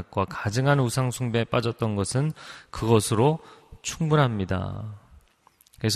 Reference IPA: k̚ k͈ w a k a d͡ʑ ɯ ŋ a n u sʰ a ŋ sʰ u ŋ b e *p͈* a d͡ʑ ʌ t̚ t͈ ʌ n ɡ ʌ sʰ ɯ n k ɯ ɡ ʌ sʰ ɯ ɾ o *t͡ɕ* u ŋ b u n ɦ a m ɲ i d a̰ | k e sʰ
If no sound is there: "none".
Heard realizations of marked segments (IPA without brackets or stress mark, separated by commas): p͈, t͡ɕʰ